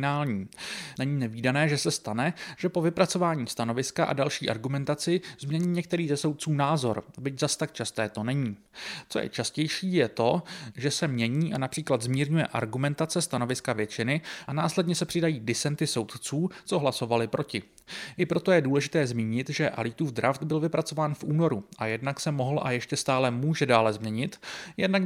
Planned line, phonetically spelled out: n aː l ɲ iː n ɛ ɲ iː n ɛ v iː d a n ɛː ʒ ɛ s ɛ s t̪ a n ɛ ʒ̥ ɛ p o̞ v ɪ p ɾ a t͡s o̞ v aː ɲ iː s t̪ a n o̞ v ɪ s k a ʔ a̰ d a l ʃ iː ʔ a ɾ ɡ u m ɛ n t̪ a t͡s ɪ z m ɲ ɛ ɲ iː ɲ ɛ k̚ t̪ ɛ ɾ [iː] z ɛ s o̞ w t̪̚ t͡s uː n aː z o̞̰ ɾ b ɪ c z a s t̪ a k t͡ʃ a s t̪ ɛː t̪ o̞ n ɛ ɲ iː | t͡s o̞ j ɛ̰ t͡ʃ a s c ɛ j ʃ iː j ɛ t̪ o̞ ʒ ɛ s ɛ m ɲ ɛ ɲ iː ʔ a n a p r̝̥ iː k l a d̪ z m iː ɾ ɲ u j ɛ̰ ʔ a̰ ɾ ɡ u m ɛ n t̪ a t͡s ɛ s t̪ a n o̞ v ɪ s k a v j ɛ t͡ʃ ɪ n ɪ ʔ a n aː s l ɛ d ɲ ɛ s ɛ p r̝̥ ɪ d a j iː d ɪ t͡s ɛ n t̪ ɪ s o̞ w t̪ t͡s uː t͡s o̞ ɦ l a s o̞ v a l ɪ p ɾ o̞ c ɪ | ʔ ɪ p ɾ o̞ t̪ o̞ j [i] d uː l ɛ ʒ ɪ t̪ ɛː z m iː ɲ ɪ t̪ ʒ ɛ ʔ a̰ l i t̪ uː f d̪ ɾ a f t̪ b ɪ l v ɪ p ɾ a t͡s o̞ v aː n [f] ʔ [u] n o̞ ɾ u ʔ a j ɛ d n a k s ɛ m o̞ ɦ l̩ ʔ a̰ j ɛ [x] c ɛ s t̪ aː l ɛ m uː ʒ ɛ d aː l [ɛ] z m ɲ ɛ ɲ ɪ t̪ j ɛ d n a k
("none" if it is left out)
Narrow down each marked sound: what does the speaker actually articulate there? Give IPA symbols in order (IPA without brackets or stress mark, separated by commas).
iː, ɛ, f, uː, ʃ, ɛ